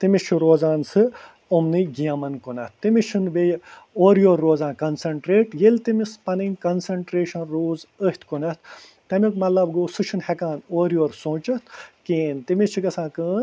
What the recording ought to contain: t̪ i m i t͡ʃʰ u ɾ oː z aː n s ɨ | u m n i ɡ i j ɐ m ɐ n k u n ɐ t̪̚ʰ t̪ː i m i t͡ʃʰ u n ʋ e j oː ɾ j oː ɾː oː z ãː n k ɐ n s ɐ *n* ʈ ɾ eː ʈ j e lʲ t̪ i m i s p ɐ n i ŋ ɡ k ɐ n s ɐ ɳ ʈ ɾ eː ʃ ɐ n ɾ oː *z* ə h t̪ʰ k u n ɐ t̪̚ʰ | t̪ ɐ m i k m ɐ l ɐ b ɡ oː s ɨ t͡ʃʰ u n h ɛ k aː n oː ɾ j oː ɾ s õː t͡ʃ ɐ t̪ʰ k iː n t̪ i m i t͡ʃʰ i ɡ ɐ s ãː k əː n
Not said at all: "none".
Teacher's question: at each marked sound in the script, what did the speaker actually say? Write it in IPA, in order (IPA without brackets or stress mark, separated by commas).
ɳ, z